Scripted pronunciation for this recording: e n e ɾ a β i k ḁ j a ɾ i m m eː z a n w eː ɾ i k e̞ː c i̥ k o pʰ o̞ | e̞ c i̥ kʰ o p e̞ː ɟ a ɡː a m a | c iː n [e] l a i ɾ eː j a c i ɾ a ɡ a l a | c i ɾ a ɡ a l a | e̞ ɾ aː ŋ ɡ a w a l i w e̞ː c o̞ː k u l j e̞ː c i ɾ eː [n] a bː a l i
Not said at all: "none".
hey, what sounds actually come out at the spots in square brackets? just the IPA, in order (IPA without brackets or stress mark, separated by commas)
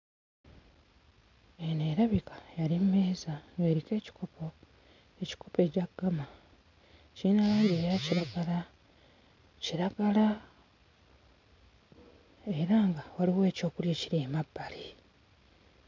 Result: a, m